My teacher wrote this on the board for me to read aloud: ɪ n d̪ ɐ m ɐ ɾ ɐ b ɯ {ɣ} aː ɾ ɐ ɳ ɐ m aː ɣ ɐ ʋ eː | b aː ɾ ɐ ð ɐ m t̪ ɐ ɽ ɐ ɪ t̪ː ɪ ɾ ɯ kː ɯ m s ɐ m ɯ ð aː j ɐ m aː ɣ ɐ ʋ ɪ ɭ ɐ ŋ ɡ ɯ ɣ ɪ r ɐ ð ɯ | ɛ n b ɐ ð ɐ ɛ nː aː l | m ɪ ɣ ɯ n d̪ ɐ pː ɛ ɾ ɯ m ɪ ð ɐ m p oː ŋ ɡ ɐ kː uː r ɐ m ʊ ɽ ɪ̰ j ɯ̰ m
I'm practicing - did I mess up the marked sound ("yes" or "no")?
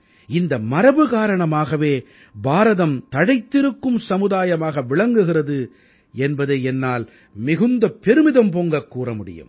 no